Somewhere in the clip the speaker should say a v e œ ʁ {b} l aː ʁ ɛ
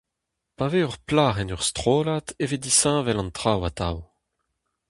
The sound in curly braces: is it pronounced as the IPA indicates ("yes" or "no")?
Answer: no